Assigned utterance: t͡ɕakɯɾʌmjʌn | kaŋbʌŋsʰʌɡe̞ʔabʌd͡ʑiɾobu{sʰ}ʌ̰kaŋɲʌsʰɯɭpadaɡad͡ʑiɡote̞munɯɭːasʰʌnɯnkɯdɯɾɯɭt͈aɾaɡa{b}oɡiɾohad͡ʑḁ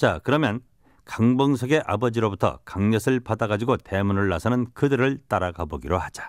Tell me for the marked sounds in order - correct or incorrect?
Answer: incorrect: tʰ, correct

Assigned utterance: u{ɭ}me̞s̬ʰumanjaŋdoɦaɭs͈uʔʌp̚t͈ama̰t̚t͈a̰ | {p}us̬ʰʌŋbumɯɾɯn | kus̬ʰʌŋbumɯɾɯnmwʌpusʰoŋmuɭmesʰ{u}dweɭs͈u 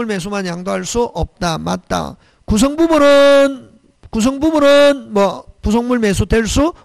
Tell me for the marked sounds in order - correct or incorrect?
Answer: correct, incorrect: k, correct

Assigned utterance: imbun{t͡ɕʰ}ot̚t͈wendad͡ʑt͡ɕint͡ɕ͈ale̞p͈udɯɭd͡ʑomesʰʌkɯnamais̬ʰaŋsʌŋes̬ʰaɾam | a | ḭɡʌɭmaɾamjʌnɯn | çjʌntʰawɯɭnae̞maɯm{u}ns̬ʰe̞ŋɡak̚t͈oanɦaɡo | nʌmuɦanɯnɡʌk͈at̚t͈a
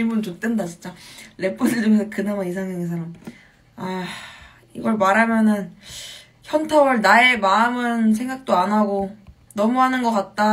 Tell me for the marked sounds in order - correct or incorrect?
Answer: incorrect: t͡ɕ, incorrect: ɯ

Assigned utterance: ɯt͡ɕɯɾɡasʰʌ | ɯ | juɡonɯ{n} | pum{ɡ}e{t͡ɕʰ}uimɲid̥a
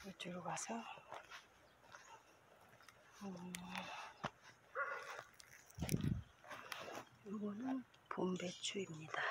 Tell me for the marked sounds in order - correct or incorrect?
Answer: correct, incorrect: b, correct

